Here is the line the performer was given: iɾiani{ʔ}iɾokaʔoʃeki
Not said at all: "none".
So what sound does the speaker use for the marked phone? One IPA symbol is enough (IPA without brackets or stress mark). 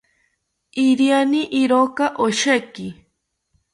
ʔ